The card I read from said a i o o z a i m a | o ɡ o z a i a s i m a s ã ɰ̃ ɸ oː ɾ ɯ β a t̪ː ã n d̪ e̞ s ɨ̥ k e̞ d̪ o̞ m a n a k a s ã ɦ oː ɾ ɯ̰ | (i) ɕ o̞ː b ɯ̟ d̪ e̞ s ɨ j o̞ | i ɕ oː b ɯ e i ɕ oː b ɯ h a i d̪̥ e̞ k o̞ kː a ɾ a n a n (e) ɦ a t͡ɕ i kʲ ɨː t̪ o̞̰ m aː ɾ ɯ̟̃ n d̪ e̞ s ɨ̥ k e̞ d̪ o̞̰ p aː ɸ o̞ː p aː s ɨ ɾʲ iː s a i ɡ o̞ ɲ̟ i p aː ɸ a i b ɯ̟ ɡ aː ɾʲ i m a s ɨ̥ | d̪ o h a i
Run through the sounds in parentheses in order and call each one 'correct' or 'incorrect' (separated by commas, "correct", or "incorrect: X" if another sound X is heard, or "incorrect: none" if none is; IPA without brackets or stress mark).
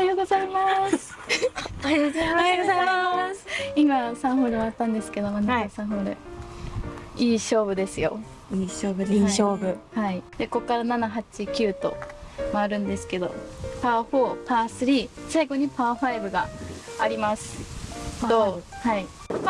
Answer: incorrect: iː, incorrect: a